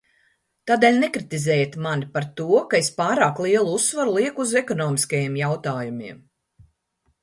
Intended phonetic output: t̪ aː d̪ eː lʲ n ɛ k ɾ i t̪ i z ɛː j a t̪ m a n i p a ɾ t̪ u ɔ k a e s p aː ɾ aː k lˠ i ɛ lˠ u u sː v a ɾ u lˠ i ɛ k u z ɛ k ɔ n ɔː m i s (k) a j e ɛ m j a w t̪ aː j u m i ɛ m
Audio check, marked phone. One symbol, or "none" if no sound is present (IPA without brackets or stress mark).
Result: k